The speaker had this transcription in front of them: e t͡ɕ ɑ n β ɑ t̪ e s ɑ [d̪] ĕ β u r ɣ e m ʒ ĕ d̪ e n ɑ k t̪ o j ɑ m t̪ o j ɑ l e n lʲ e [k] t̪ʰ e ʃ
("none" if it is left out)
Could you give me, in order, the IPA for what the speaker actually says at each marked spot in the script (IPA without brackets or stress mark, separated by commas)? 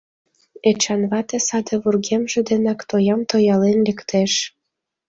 d̪, k